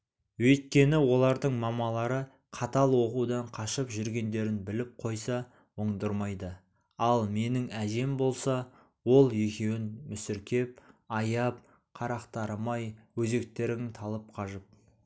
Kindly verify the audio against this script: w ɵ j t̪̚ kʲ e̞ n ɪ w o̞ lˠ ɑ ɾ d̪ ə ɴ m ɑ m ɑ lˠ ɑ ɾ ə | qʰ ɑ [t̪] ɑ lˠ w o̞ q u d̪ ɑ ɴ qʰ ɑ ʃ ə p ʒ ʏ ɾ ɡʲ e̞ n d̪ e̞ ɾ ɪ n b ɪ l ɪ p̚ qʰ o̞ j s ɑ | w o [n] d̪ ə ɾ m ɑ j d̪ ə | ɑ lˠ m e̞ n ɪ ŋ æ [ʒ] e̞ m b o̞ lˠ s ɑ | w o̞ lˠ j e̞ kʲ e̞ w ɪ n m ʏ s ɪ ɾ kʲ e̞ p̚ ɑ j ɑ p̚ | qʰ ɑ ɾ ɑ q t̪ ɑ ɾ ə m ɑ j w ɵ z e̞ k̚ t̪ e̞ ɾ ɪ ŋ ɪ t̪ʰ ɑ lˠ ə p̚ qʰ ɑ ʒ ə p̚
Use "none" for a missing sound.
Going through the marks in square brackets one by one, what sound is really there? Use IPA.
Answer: t̪, ɴ, ʒ

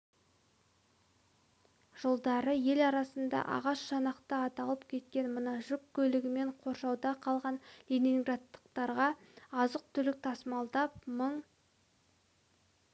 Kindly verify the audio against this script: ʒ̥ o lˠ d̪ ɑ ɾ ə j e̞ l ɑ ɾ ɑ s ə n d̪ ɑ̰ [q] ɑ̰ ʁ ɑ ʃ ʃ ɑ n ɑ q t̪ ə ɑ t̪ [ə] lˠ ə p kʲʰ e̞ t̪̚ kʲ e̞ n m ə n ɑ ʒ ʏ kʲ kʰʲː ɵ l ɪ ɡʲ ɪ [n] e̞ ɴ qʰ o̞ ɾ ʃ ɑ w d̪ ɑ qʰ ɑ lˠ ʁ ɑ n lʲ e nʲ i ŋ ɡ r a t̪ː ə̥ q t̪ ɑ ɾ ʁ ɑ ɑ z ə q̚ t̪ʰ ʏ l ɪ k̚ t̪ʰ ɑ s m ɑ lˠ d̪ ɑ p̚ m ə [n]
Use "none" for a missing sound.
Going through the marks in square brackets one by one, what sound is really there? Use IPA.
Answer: ʔ, ɑ, m, ɴ

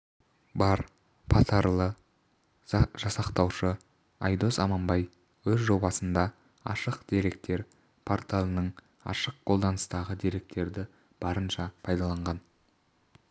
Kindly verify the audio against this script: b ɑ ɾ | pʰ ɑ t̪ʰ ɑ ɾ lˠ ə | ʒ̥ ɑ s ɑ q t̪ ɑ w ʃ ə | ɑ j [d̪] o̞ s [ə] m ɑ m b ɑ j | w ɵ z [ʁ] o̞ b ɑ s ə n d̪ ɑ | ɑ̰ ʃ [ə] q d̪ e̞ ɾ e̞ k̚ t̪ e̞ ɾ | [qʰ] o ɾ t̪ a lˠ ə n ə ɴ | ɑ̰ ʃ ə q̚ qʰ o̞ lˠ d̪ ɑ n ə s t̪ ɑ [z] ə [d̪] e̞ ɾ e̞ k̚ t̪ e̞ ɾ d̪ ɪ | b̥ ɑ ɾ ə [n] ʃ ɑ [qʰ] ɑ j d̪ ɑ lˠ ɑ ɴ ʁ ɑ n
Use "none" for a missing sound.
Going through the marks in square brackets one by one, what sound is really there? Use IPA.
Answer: d̪, ɑ, ʒ, ə, pʰ, ʁ, d̪, n, pʰ

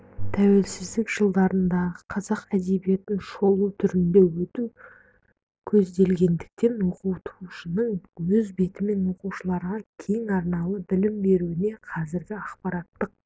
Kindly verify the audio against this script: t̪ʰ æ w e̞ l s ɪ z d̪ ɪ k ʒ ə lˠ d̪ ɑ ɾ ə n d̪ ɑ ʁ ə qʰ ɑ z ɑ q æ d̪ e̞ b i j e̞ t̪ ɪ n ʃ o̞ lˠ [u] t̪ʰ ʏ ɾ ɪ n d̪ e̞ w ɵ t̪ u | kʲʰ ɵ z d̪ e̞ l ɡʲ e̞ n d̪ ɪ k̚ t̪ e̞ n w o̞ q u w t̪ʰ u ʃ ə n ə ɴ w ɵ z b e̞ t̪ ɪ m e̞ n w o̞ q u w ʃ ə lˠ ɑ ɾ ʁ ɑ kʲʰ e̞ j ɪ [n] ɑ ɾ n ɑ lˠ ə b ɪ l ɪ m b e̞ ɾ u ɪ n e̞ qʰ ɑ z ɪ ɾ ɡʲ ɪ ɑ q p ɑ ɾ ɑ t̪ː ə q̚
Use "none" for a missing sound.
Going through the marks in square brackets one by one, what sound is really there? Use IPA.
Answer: u, ŋ

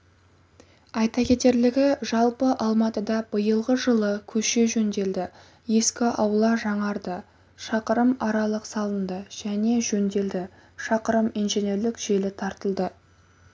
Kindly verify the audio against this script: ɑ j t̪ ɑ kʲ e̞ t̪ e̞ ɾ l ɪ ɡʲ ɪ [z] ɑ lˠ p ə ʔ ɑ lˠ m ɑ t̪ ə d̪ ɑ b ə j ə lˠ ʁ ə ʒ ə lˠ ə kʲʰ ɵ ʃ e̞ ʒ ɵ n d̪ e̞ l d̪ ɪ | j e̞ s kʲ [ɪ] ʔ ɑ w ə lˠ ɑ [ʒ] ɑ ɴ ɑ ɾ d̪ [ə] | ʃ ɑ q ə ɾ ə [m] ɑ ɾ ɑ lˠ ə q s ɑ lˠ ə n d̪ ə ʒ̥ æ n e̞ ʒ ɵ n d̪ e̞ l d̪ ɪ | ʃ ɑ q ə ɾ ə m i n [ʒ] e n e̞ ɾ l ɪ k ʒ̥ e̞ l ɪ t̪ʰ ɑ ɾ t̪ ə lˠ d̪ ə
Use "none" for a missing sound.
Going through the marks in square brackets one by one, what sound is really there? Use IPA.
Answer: ʒ, ɪ, ʒ, ə, m, ʒ

